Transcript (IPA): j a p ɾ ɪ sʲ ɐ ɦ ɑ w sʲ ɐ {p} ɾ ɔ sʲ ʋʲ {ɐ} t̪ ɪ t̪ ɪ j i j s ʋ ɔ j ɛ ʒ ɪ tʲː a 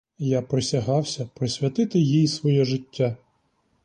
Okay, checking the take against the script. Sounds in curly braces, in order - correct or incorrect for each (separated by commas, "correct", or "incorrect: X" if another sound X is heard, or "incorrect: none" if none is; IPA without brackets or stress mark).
correct, correct